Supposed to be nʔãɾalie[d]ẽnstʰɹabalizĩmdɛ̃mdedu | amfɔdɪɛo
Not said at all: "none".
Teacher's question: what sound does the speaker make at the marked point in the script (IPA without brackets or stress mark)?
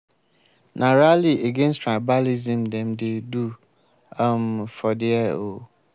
ɡ